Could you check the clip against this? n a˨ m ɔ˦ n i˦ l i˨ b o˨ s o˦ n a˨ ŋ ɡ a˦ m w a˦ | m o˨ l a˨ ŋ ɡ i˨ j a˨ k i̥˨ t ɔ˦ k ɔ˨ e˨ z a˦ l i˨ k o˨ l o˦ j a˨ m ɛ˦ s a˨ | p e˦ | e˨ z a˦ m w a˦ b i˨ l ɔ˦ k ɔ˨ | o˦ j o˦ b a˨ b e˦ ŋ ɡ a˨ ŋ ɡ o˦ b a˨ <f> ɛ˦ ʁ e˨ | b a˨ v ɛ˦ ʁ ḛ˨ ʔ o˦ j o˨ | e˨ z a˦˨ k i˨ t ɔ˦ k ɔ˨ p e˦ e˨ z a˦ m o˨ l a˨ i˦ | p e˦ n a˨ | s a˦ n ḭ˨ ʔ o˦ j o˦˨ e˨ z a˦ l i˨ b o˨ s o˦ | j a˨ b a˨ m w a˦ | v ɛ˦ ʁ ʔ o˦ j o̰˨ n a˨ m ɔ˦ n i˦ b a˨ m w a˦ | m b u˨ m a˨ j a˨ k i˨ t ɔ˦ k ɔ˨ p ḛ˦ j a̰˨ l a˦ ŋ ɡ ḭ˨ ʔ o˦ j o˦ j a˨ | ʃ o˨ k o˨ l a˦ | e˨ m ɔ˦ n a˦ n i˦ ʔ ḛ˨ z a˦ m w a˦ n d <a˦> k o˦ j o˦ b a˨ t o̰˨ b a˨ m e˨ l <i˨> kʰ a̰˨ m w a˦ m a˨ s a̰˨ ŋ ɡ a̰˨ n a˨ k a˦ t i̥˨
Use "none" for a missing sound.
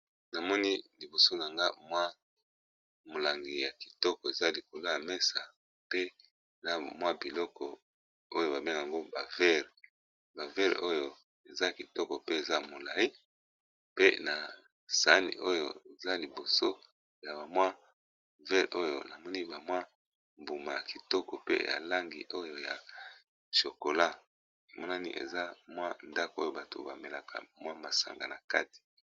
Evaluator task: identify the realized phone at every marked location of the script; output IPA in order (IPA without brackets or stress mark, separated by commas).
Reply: v, a˦, a˨